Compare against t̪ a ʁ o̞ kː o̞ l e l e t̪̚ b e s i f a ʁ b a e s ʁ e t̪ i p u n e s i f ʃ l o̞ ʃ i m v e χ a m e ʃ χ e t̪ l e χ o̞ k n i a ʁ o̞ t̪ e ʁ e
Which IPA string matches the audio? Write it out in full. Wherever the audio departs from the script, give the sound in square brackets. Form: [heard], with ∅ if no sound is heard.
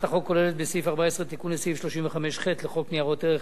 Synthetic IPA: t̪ a [χ] o̞ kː o̞ l e l e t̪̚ b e s i f a ʁ b a e s ʁ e t̪ i [k] u n e s i f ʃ l o̞ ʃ i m v e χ a m e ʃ χ e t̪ l e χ o̞ k n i a ʁ o̞ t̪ e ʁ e